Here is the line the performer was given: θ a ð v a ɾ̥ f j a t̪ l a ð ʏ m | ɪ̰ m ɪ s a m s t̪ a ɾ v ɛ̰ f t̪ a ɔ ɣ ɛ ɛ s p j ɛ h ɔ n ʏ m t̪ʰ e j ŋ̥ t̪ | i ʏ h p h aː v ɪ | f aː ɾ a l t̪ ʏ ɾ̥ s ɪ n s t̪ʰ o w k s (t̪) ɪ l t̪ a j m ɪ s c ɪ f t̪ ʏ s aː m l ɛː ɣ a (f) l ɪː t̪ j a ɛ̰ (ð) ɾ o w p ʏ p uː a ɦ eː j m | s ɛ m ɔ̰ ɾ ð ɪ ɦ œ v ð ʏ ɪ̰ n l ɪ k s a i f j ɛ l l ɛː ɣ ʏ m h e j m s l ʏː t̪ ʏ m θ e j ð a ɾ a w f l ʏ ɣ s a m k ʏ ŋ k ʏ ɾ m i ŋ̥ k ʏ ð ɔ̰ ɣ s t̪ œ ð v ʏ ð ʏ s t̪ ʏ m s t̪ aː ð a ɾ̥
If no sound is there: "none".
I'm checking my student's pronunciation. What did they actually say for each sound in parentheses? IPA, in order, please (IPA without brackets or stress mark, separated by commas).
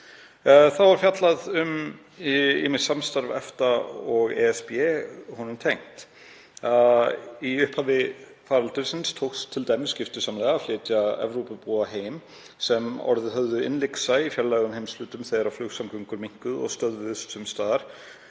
t̪ʰ, f, v